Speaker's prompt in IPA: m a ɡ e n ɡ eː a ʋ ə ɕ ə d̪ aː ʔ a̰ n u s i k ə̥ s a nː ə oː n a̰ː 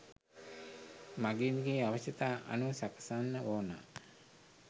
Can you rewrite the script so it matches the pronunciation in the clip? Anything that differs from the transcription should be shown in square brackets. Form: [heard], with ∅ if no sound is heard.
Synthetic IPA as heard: m a ɡ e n ɡ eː a ʋ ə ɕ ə [t̪] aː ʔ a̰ n u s [a] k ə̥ s a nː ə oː n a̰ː